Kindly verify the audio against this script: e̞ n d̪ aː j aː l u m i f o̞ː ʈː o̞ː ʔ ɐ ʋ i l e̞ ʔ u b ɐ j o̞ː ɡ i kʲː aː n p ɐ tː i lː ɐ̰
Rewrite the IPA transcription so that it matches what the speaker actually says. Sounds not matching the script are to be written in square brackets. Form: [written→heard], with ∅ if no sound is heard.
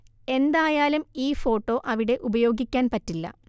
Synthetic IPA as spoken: e̞ n d̪ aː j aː l u m [i→iː] f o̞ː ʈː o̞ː ʔ ɐ ʋ i [l→ɽ] e̞ ʔ u b ɐ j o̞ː ɡ i kʲː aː n p ɐ tː i lː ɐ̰